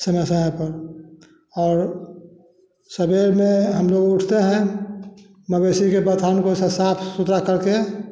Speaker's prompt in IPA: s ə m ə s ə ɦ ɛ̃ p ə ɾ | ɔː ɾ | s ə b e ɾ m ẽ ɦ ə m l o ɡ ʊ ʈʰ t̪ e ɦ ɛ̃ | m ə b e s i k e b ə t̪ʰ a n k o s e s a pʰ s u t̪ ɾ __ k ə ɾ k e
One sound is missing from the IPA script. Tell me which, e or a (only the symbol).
a